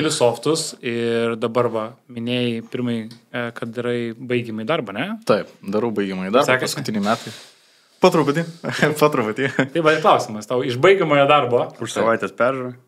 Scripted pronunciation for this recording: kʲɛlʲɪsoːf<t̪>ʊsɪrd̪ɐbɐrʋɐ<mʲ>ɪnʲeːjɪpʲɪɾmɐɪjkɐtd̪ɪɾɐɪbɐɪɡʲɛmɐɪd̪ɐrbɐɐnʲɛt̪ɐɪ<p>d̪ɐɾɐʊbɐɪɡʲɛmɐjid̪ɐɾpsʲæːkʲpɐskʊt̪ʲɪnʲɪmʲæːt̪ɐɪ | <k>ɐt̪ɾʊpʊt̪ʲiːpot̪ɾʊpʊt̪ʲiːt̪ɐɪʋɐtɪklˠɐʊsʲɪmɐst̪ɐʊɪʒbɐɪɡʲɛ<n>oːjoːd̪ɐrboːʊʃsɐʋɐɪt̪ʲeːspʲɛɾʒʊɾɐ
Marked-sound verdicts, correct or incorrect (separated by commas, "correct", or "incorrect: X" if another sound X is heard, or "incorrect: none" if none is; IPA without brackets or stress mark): correct, correct, correct, incorrect: p, incorrect: m